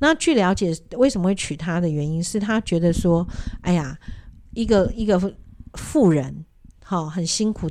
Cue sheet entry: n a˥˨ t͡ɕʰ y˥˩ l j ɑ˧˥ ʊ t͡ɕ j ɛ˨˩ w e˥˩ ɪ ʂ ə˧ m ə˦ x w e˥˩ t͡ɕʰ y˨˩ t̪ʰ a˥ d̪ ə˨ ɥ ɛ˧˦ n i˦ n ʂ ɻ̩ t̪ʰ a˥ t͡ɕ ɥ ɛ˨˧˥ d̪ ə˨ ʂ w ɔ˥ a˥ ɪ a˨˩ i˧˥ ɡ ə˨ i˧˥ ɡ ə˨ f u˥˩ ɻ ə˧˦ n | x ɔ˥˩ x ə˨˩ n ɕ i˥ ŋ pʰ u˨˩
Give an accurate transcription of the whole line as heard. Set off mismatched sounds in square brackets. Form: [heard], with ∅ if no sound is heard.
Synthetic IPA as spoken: n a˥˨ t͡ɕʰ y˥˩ l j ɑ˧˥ ʊ t͡ɕ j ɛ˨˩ w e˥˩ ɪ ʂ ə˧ m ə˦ x w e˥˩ t͡ɕʰ y˨˩ t̪ʰ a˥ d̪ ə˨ ɥ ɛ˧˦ n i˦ n ʂ ɻ̩ t̪ʰ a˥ t͡ɕ ɥ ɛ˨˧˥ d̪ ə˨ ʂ w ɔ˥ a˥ ɪ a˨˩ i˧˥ ɡ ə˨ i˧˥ ɡ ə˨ f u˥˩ ɻ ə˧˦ n | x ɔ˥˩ x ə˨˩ n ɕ i˥ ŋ [kʰ] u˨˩